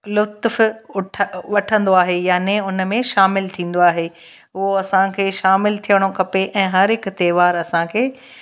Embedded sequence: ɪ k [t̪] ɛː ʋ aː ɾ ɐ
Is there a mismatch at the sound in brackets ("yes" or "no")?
no